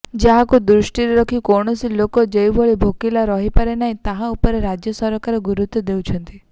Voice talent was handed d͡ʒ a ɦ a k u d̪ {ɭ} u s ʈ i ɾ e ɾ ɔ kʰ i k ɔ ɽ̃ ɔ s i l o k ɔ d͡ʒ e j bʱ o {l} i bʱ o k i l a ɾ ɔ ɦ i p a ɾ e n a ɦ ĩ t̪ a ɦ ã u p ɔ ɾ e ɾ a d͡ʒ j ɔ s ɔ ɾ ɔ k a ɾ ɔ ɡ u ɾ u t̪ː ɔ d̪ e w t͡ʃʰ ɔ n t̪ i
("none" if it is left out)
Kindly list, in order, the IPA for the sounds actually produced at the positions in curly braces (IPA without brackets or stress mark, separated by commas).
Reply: ɾ, ɭ